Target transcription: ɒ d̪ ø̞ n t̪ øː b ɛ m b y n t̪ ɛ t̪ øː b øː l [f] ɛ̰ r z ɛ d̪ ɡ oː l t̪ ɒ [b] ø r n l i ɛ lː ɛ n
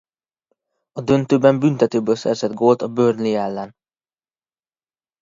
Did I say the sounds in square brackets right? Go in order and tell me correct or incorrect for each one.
incorrect, correct

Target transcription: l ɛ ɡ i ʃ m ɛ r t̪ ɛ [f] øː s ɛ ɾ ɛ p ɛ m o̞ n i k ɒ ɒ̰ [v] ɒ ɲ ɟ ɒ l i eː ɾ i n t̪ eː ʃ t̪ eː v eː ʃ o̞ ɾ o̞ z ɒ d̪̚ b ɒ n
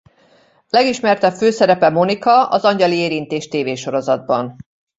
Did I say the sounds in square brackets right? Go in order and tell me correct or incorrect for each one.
correct, incorrect

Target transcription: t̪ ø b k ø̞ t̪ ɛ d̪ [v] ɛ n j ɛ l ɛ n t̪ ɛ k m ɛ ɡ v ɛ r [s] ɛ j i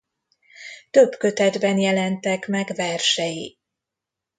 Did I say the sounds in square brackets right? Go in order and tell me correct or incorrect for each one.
incorrect, incorrect

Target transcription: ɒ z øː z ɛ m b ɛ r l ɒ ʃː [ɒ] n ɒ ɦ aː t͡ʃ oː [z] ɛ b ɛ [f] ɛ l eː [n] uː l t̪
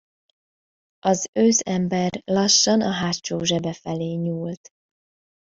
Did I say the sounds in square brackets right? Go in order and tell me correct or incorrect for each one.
correct, incorrect, correct, incorrect

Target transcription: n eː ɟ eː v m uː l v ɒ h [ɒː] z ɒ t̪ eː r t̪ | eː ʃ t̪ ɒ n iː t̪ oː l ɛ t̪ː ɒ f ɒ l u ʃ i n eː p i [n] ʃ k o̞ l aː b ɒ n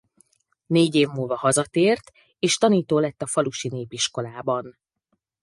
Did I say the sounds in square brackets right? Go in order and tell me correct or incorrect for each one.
incorrect, incorrect

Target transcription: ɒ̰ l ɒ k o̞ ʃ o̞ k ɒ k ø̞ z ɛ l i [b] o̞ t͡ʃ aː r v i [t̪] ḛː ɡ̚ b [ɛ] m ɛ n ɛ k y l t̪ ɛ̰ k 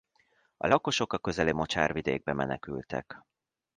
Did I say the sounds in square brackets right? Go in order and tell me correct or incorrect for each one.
incorrect, incorrect, correct

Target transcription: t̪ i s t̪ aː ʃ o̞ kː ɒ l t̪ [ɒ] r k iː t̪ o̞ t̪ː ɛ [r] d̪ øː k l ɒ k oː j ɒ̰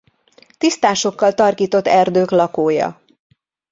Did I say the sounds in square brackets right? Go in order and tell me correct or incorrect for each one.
correct, correct

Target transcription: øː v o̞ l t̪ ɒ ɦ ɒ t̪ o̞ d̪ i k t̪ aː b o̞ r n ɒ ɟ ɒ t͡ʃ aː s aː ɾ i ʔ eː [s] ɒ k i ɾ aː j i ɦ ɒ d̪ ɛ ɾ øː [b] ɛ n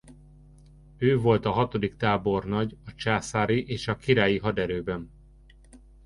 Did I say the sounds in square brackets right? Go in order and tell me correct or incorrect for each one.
incorrect, correct

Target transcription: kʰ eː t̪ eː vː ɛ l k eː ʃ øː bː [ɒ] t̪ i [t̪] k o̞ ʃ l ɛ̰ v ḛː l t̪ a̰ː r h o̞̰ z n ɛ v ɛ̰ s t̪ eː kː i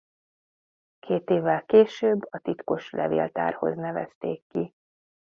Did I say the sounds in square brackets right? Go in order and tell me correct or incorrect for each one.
correct, correct

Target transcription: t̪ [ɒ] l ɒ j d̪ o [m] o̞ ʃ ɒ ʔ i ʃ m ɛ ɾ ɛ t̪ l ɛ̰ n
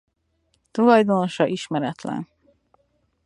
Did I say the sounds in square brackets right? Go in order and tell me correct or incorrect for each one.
incorrect, incorrect

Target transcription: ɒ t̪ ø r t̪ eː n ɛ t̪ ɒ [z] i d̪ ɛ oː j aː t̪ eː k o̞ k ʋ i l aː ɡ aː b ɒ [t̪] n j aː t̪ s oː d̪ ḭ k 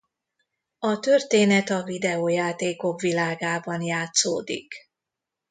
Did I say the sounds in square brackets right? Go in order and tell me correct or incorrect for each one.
incorrect, incorrect

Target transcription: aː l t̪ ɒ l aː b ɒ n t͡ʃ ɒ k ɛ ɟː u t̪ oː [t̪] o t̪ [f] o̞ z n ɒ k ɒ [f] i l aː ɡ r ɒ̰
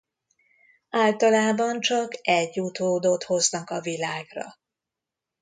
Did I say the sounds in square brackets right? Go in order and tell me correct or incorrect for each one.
incorrect, incorrect, incorrect

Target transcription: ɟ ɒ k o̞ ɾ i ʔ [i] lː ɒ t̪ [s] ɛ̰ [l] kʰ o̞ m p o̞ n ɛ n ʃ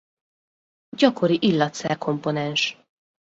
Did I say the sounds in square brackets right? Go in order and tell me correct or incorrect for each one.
correct, correct, incorrect

